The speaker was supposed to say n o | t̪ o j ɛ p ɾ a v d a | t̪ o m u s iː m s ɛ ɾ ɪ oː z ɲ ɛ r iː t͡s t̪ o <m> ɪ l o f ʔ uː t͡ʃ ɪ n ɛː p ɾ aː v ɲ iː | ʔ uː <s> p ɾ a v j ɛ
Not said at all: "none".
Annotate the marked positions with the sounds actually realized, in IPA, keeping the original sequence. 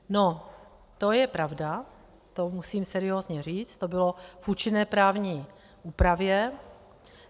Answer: b, none

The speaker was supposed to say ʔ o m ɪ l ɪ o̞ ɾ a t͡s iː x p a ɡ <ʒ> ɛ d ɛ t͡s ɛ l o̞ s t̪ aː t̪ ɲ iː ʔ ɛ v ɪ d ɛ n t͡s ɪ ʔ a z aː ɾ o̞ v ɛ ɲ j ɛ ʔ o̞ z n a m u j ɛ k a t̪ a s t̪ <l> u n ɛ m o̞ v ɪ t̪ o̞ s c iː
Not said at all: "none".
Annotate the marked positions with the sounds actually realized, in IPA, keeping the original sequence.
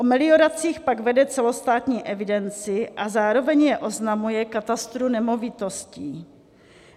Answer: v, ɾ

